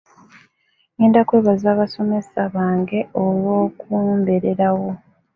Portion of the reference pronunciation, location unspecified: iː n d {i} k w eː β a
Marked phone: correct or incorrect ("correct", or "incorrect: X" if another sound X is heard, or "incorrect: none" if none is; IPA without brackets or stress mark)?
incorrect: a